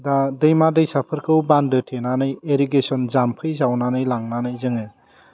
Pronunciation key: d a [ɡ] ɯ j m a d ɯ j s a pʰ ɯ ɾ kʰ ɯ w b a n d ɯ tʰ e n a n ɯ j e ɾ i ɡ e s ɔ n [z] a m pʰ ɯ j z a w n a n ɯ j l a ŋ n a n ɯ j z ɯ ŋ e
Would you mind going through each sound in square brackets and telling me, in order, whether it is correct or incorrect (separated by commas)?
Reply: incorrect, correct